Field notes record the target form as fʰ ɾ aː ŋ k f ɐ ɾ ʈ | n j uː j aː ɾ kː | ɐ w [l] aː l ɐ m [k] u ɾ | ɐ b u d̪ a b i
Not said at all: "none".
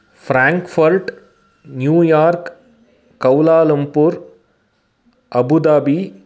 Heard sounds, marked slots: l, p

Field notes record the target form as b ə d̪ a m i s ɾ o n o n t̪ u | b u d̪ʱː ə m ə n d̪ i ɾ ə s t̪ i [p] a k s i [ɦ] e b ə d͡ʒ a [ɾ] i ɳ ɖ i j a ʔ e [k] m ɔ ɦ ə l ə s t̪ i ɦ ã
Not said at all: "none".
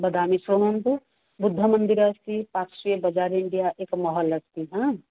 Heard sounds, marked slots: p, none, ɾ, k

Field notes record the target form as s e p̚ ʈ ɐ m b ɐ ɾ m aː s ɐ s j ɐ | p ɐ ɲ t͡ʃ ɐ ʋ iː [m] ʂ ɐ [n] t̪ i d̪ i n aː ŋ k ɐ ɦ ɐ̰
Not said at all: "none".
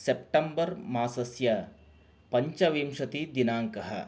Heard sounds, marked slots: m, none

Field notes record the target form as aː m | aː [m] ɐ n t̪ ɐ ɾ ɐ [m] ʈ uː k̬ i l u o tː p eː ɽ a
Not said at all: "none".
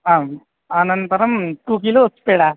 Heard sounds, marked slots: n, m

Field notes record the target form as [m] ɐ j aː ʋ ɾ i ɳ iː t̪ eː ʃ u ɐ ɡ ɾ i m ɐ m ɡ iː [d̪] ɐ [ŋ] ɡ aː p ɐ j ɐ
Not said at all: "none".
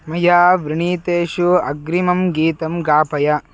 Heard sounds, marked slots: m, t̪, m

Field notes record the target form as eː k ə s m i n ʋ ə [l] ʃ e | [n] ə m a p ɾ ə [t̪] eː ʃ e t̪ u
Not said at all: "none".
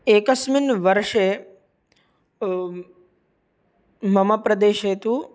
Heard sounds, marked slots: ɾ, m, d̪

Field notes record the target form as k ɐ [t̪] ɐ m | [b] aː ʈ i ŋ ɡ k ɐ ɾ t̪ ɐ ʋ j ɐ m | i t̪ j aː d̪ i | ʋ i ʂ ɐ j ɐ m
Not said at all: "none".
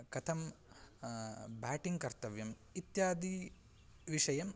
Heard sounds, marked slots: t̪ʰ, b

